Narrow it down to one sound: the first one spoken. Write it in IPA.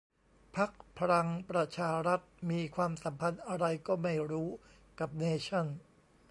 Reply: pʰ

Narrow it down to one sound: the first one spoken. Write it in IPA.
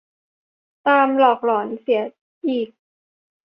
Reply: t̪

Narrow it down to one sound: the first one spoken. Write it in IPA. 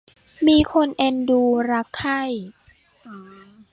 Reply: m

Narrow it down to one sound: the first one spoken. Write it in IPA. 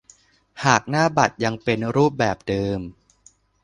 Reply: h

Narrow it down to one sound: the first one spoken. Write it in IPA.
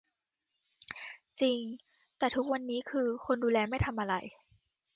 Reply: t͡ɕ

